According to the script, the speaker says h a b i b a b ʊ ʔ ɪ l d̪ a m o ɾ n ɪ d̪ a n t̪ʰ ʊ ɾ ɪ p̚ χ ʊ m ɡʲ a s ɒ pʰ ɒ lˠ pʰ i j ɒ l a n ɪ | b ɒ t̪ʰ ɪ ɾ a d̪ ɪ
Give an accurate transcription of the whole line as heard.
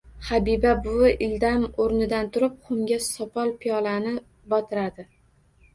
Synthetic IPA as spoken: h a b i b a b ʊ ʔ ɪ l d̪ a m o ɾ n ɪ d̪ a n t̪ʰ ʊ ɾ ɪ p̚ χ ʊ m ɡʲ a s ɒ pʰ ɒ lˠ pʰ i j ɒ l a n ɪ | b ɒ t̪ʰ ɪ ɾ a d̪ ɪ

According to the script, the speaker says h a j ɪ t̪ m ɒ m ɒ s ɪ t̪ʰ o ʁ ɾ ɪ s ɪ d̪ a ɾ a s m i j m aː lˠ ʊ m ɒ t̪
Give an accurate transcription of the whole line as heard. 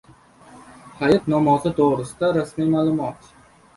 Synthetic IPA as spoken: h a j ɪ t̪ n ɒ m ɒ z ɪ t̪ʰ o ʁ ɾ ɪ s ɪ d̪ a ɾ a s m i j m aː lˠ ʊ m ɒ t̪

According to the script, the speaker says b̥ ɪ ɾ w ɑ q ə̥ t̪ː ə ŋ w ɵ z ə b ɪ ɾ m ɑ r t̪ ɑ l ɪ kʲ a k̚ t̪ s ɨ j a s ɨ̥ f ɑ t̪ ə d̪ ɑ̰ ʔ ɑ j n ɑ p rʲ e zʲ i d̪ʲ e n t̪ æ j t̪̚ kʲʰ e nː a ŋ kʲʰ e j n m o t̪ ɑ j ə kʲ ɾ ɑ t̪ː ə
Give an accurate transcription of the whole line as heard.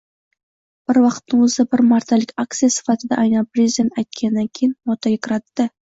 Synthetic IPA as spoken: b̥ ɪ ɾ w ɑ q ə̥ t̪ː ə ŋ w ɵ z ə b ɪ ɾ m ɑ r t̪ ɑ l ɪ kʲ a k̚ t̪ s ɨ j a s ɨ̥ f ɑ t̪ ə d̪ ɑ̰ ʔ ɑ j n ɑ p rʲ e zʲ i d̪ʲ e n t̪ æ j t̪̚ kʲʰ e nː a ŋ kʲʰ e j n m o t̪ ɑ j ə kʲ ɾ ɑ t̪ː ə

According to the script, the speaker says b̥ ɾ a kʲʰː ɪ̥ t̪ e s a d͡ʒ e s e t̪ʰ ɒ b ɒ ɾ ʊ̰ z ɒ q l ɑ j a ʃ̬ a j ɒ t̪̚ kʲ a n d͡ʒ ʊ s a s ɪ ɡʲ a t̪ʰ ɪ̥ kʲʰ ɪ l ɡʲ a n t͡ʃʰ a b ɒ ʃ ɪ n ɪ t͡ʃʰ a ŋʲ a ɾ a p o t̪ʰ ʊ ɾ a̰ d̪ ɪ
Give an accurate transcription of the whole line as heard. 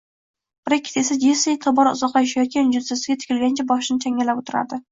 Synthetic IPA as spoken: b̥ ɾ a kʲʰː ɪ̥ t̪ e s a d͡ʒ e s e t̪ʰ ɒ b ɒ ɾ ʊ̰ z ɒ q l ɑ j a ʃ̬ a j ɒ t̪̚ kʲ a n d͡ʒ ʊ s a s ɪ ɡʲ a t̪ʰ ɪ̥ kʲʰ ɪ l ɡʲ a n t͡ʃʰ a b ɒ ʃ ɪ n ɪ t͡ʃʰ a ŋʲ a l a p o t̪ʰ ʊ ɾ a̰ d̪ ɪ

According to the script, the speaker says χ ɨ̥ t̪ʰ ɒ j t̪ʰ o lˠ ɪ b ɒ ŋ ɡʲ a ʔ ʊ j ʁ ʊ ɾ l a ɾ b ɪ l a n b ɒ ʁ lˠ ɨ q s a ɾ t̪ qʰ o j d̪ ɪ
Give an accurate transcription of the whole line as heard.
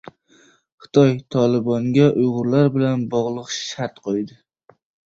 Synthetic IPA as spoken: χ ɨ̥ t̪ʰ ɒ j t̪ʰ ɒ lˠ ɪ b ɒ ŋ ɡʲ a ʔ ʊ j ʁ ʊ ɾ l a ɾ b ɪ l a n b ɒ ʁ lˠ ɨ q ʃ a ɾ t̪ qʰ o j d̪ ɪ

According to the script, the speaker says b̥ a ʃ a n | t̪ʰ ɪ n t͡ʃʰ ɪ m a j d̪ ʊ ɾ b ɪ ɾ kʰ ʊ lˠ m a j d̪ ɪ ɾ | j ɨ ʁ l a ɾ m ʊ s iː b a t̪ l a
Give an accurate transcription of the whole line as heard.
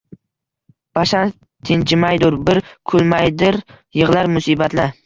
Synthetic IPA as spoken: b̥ a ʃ a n | t̪ʰ ɪ n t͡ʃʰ ɪ m a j d̪ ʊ ɾ b ɪ ɾ kʰ ʊ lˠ m a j d̪ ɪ ɾ | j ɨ ʁ l a ɾ m ʊ s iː b a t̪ l a

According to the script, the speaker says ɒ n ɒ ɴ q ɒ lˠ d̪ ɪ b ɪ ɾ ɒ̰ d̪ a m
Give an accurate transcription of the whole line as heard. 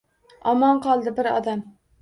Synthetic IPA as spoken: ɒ m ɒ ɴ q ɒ lˠ d̪ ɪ b ɪ ɾ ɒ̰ d̪ a m

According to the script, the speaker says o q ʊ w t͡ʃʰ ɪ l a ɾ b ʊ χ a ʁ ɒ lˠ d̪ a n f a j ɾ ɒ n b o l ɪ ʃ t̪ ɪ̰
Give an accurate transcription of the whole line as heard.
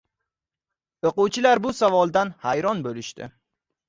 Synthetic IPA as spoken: o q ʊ w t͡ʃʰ ɪ l a ɾ b ʊ s a v ɒ lˠ d̪ a n h a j ɾ ɒ n b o l ɪ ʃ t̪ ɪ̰

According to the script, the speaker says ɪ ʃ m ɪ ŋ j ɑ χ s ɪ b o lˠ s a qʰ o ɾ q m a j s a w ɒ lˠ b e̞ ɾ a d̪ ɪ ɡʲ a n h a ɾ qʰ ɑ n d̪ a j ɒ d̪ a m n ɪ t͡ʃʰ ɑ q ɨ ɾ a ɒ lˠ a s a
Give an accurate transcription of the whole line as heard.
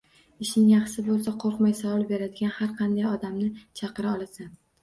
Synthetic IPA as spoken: ɪ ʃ n ɪ ŋ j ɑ χ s ɪ b o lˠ s a qʰ o ɾ q m a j s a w ɒ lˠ b e̞ ɾ a d̪ ɪ ɡʲ a n h a ɾ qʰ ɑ n d̪ a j ɒ d̪ a m n ɪ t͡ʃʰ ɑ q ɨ ɾ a ɒ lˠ a s a

